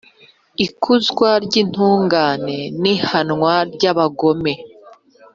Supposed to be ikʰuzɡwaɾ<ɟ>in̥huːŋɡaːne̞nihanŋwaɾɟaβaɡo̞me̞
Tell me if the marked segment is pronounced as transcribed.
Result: yes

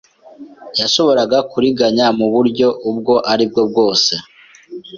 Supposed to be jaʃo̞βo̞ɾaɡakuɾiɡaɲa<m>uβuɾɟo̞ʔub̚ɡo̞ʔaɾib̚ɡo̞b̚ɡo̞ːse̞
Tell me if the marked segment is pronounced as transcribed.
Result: yes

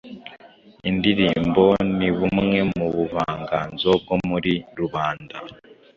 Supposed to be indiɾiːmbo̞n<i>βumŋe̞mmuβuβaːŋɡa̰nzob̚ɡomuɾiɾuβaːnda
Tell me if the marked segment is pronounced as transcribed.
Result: yes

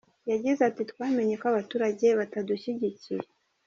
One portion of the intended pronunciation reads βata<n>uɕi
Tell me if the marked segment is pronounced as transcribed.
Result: no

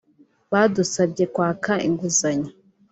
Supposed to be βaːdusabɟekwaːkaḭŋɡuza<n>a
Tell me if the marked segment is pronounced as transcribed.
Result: no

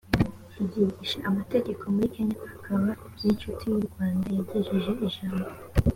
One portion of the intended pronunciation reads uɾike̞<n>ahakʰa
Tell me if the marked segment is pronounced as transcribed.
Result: no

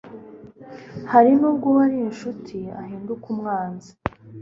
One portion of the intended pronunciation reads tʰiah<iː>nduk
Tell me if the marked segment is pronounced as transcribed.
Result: yes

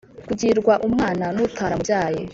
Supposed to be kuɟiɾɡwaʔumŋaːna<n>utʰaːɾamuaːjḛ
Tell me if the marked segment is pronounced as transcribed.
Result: yes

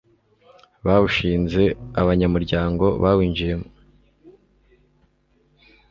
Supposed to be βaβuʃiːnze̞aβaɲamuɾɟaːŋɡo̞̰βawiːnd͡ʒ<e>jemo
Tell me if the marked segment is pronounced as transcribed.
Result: no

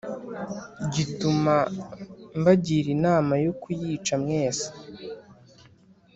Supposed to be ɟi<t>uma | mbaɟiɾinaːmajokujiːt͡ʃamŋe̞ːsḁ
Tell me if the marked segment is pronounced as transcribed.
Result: yes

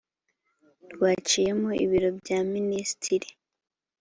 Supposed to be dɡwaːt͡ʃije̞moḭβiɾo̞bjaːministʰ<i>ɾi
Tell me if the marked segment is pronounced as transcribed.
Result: yes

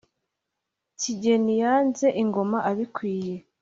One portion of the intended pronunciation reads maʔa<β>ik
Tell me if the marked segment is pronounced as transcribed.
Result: yes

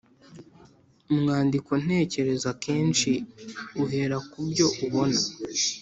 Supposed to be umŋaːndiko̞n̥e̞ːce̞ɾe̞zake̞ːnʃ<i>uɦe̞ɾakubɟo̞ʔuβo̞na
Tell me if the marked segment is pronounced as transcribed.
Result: yes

